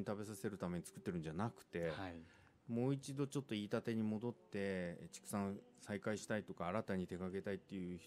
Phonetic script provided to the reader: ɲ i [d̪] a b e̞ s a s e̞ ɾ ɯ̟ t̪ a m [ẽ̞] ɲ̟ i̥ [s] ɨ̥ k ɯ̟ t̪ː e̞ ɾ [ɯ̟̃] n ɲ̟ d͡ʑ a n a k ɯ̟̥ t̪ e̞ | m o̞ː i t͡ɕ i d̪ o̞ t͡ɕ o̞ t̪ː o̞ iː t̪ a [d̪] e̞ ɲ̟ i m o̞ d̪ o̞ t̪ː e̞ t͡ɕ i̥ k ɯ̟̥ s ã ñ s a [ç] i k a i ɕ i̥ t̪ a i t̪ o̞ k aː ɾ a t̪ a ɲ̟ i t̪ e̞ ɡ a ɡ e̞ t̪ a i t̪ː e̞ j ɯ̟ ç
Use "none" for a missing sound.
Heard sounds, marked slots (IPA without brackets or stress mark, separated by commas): t̪, e̞, t͡s, ɯ̟, t̪, none